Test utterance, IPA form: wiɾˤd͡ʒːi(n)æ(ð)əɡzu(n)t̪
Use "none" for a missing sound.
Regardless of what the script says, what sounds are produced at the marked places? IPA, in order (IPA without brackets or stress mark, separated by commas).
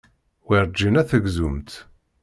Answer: n, θ, m